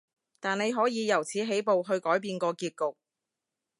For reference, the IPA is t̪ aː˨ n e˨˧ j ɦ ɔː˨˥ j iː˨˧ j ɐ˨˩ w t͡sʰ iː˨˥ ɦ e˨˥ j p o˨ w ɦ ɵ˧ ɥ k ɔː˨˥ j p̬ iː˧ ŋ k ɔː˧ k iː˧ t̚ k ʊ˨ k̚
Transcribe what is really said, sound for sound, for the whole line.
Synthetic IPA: t̪ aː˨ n e˨˧ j ɦ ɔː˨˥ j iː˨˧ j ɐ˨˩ w t͡sʰ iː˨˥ ɦ e˨˥ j p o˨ w ɦ ɵ˧ ɥ k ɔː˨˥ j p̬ iː˧ n k ɔː˧ k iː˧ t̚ k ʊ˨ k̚